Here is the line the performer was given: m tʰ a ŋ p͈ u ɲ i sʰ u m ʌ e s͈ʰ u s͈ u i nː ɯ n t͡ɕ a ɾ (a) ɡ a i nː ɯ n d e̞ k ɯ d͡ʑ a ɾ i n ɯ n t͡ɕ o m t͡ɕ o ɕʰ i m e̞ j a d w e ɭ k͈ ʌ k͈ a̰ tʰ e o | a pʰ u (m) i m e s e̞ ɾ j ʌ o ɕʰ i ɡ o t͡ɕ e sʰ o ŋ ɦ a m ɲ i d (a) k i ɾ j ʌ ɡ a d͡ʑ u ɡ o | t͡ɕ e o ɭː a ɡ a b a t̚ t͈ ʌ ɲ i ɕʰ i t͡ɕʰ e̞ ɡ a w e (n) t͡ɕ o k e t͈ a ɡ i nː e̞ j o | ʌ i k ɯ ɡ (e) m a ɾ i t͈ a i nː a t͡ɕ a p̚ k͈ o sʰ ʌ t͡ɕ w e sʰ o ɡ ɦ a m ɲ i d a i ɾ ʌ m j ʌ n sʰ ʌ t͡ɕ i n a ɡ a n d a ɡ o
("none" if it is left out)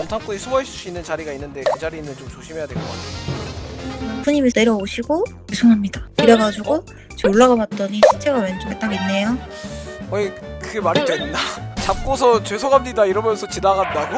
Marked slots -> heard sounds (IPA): i, ɲ, a, n, e

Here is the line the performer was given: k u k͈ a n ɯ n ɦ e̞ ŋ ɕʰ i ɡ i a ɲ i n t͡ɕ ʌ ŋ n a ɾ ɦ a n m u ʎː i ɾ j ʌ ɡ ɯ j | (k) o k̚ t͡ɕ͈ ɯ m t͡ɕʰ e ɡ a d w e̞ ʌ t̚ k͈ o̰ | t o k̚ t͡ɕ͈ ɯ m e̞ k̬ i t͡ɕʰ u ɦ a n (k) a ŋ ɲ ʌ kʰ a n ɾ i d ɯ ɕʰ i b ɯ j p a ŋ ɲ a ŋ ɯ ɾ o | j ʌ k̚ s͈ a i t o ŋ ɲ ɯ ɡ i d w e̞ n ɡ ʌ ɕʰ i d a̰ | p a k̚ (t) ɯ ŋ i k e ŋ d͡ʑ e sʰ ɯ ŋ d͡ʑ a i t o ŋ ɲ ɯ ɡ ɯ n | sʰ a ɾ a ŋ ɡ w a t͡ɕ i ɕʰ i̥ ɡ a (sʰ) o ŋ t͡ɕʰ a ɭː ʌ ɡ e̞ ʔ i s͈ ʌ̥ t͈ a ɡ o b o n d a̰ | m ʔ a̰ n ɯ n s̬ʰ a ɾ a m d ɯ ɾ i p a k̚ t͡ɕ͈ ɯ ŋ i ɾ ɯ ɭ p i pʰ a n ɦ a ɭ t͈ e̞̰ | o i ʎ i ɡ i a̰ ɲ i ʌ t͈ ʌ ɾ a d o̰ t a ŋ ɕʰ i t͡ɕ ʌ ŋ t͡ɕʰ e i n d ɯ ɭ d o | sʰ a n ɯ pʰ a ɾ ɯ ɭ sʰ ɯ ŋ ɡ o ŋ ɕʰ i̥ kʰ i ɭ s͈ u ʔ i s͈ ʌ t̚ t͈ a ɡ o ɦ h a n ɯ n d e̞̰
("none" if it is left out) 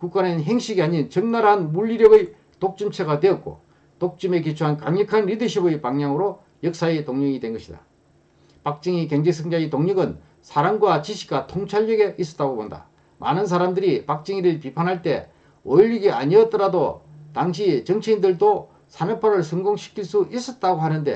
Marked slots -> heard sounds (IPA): t, k, t͡ɕ͈, tʰ

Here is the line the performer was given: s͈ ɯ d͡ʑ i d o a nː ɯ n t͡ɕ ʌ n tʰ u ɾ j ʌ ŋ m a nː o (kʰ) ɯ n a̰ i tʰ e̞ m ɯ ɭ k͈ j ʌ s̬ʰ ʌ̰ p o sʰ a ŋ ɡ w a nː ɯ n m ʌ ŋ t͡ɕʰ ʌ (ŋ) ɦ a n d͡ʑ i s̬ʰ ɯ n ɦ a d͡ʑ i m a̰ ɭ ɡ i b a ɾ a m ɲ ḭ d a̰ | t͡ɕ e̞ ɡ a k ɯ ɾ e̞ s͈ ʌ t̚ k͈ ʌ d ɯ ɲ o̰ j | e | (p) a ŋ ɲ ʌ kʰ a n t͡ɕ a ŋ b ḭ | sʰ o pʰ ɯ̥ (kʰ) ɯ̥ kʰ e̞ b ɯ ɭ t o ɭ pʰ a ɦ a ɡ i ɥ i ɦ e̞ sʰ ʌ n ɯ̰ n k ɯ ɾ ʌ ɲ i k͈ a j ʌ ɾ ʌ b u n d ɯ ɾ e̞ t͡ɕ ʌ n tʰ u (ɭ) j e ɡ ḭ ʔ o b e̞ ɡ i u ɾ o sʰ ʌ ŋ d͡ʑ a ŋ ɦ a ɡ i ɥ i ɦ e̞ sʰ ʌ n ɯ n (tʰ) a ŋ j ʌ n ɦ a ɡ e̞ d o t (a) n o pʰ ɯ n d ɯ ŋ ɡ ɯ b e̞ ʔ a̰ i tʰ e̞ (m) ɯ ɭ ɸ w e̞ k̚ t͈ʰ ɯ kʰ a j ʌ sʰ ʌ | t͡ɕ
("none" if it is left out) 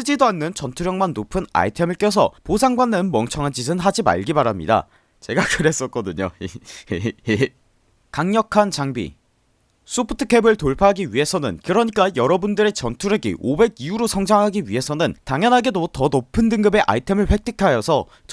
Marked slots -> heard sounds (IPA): pʰ, ŋ, k, tʰ, ɾ, t, ʌ, m

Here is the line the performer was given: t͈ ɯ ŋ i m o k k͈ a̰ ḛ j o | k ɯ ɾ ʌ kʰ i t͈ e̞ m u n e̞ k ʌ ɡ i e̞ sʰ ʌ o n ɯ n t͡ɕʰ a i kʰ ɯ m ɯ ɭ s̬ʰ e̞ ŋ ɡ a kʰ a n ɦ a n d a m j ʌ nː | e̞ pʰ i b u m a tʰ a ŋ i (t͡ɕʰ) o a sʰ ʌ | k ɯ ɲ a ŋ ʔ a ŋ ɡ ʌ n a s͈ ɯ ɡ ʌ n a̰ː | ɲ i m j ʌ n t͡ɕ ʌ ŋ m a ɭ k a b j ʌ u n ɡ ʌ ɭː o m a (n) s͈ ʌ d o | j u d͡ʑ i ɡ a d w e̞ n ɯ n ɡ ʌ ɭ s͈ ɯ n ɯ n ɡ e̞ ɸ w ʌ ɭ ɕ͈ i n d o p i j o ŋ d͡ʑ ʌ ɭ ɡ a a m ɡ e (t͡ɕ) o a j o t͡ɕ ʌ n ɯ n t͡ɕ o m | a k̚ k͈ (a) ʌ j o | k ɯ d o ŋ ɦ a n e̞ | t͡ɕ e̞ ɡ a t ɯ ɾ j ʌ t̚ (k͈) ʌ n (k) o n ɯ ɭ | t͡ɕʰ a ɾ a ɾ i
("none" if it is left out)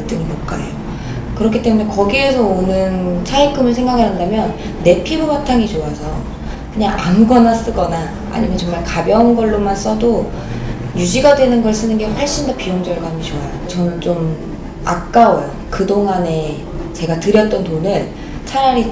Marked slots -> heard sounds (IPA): t͡ɕ, n, t͡ɕ, a, t͈, t

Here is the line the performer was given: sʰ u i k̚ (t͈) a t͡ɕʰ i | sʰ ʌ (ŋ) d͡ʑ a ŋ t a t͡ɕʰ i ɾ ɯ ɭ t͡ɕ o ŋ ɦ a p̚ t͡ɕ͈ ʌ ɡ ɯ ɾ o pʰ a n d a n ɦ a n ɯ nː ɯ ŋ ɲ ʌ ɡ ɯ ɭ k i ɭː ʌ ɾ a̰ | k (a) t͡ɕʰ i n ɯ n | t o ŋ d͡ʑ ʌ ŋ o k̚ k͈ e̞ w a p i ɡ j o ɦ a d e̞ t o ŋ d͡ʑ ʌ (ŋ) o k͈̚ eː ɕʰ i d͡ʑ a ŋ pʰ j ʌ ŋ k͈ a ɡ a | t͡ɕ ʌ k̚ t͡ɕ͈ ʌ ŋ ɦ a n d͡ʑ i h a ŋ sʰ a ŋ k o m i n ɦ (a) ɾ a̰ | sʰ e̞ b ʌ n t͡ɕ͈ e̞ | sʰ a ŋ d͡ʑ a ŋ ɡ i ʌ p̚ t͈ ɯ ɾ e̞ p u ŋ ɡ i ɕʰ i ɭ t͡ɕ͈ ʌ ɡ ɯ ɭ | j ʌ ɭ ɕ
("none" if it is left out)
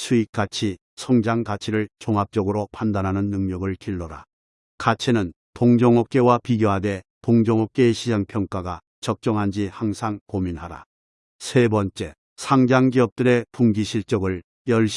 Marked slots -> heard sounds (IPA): k͈, ŋ, a, ŋ, a

